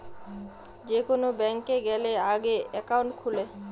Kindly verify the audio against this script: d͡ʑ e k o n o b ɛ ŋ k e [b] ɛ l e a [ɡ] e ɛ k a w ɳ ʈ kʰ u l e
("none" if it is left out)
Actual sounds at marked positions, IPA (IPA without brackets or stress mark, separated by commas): ɡ, ɡ